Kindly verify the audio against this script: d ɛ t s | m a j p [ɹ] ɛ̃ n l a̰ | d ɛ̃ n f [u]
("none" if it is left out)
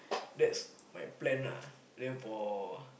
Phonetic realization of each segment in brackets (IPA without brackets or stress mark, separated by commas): l, ɔ